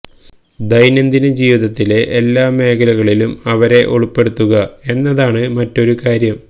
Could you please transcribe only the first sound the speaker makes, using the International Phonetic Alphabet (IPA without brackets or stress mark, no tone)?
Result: d̪